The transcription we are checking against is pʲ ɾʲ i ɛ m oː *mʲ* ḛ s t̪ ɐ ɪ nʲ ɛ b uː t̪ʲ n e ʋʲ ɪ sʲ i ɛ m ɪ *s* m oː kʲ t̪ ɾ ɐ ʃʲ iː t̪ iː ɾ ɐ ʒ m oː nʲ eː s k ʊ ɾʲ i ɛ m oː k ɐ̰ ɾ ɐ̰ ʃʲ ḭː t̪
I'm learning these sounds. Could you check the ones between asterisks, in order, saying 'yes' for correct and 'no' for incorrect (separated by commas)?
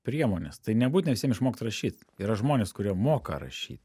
no, no